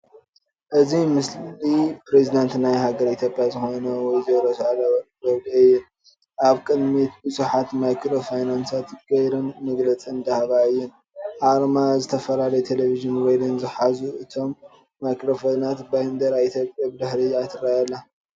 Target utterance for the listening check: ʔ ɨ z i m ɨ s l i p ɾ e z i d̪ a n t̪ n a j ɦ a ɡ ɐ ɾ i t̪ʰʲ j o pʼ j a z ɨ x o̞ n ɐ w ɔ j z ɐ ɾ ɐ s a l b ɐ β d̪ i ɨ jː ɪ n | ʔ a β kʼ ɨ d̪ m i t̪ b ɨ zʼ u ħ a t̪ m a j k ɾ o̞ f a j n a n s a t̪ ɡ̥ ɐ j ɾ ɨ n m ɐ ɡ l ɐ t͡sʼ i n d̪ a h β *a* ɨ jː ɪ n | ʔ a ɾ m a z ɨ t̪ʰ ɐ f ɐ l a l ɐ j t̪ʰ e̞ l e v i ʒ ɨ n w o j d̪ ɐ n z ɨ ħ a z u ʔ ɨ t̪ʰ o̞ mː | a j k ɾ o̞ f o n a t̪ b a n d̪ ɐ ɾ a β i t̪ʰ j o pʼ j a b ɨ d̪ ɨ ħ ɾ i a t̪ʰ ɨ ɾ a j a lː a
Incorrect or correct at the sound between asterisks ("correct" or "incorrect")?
correct